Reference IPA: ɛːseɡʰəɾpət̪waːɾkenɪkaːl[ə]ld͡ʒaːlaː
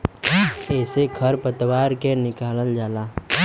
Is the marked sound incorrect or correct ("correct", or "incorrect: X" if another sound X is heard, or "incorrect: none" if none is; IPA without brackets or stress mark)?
correct